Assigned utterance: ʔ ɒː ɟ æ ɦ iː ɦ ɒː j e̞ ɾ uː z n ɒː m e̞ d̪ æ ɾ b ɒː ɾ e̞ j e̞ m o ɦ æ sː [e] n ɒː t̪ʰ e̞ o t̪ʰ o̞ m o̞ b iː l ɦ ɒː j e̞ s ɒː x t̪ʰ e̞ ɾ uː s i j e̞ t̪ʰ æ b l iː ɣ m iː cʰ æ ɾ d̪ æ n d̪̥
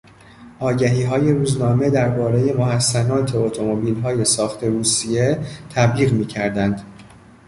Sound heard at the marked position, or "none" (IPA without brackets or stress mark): æ